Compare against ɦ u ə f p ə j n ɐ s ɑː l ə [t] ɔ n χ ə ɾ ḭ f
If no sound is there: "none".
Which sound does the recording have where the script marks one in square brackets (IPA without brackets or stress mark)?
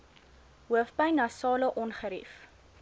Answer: ʔ